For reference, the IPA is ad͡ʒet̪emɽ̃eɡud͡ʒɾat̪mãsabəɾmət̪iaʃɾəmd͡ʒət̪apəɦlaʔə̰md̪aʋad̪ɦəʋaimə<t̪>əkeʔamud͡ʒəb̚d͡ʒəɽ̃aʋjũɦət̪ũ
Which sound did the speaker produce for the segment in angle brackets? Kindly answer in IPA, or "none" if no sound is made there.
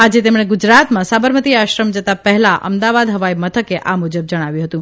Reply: t̪ʰ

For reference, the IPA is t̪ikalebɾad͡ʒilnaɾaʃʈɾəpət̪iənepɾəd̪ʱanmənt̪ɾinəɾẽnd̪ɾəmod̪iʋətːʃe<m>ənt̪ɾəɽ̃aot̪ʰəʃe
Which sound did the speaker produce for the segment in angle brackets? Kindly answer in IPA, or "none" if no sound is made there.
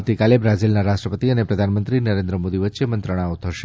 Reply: m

